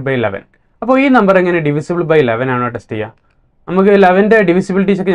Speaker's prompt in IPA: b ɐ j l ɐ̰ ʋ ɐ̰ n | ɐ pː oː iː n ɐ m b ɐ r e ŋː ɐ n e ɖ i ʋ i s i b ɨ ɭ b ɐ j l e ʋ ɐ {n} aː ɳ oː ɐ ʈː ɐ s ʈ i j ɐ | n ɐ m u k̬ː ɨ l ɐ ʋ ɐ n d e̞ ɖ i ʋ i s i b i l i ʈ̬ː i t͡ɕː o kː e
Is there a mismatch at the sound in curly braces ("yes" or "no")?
no